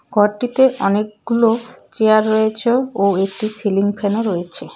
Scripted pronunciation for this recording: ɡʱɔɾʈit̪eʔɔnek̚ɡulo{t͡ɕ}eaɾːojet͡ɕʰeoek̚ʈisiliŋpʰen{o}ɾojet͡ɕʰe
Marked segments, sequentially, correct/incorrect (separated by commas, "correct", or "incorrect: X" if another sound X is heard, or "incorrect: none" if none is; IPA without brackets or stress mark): correct, correct